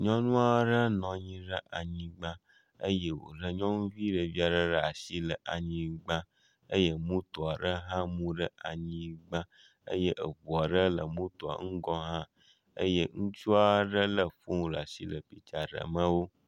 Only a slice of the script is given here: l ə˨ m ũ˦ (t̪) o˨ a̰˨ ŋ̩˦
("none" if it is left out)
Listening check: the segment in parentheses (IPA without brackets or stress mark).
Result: t̪